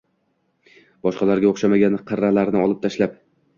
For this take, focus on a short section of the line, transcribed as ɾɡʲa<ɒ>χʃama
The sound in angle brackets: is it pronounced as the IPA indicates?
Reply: no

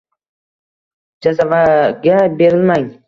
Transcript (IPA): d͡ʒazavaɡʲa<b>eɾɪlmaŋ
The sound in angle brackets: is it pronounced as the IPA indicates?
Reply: yes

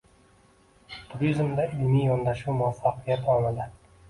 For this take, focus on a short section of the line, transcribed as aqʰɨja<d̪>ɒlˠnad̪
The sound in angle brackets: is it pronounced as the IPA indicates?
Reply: no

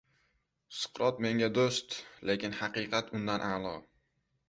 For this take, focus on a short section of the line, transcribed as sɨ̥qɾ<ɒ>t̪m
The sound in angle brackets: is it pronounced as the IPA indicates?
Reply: yes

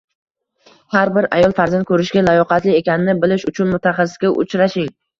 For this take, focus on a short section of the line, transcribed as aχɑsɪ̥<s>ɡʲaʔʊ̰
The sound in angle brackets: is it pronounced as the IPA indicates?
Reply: yes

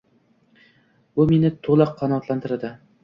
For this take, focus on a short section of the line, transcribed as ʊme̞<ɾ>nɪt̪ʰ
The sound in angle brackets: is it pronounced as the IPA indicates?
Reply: no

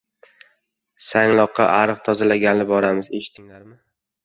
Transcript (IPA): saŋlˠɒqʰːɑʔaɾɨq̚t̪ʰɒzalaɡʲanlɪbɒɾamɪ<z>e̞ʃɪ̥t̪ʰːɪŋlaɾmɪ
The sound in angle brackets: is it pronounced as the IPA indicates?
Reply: yes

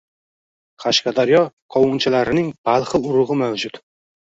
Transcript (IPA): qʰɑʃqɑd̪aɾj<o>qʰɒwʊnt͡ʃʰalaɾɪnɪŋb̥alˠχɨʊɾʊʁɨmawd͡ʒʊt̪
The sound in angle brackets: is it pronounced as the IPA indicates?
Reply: no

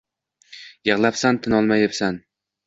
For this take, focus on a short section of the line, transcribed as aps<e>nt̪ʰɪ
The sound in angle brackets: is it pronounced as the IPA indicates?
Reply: no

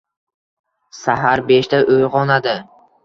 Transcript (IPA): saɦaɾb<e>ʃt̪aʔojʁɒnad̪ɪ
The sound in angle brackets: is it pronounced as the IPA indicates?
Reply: yes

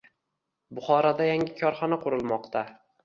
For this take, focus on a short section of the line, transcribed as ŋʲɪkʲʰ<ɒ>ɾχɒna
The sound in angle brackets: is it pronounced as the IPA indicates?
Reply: yes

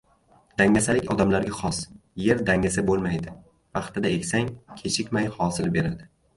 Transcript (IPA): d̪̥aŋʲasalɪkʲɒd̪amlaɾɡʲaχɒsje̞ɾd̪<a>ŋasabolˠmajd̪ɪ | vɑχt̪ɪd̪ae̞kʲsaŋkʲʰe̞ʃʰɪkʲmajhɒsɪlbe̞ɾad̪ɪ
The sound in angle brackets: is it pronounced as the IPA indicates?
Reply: yes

